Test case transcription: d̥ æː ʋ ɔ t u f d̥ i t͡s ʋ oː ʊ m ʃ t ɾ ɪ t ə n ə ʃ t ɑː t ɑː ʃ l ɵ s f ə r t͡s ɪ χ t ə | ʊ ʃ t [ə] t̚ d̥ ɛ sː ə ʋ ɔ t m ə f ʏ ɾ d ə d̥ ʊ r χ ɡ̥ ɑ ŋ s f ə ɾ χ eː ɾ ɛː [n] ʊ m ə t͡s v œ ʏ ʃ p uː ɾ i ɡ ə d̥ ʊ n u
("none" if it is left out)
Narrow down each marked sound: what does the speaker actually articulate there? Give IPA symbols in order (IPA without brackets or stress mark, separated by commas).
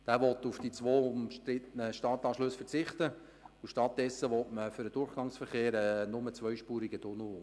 ɑ, n